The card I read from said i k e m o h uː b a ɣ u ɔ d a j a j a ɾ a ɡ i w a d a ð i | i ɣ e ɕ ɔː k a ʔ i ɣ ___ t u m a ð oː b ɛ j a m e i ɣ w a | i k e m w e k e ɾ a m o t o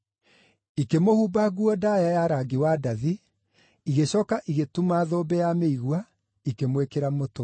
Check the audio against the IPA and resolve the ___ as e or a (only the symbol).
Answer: e